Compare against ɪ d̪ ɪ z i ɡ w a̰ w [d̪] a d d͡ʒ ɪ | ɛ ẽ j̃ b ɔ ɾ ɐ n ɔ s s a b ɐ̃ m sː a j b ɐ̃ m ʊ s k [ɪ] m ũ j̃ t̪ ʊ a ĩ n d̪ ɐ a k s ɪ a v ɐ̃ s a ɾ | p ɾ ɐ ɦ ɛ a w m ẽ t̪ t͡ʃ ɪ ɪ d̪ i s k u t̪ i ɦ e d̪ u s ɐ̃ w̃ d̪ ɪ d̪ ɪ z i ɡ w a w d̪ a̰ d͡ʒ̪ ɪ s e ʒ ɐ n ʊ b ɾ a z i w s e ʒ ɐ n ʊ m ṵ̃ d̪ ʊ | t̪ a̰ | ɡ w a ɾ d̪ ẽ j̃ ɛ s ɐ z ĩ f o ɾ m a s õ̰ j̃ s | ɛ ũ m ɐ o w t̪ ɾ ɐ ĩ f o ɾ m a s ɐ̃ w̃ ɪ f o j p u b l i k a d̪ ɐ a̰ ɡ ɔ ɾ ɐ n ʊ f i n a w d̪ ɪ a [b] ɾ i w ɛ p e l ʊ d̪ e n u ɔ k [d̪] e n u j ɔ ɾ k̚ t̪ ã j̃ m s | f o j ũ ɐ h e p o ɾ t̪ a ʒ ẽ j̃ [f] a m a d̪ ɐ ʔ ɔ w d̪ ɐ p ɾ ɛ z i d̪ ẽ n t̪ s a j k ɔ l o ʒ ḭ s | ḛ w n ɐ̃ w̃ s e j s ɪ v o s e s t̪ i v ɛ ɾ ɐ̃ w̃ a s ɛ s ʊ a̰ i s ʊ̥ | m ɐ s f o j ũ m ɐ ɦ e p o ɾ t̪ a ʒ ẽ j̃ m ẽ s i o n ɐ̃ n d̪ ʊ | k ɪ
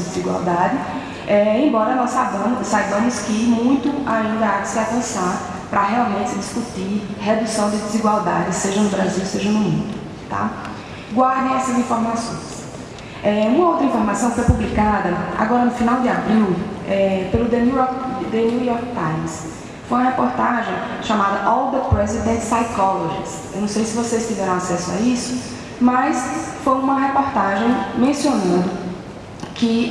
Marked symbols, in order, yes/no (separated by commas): yes, yes, yes, yes, no